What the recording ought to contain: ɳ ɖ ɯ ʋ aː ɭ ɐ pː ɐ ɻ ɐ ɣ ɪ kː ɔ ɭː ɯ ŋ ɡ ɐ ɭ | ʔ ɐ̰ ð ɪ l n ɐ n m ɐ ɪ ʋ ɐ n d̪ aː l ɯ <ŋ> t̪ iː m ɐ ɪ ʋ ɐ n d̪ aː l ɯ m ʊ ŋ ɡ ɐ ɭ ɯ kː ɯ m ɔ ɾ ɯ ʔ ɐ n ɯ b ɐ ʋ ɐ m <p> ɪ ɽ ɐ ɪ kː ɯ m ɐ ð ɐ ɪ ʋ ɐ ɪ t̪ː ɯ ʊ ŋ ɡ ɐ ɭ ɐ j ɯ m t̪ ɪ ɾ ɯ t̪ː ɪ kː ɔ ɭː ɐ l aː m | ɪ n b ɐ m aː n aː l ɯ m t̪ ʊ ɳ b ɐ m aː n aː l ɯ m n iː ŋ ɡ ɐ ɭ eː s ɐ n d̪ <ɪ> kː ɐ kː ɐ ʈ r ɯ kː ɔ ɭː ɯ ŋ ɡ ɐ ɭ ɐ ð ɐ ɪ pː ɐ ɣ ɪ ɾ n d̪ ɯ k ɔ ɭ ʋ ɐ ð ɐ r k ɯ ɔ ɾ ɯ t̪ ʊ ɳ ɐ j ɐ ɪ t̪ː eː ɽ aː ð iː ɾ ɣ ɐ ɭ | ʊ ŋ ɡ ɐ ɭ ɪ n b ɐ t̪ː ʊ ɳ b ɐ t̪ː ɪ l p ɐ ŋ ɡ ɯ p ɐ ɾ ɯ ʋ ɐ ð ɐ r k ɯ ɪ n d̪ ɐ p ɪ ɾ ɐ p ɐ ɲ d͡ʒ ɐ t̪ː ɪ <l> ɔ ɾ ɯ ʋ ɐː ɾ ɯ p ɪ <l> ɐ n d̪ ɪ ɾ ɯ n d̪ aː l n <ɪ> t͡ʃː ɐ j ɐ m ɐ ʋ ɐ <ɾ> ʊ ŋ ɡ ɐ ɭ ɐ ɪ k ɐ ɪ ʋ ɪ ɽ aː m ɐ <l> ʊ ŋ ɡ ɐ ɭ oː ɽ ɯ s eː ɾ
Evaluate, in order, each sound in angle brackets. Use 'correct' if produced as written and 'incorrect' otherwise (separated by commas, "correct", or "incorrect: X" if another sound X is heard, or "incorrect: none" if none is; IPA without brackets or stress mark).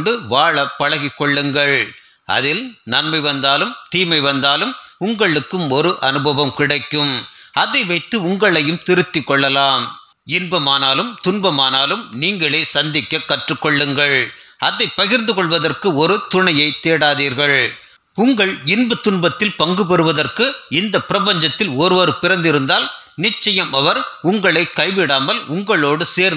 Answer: incorrect: m, incorrect: k, correct, correct, incorrect: ɾ, correct, correct, correct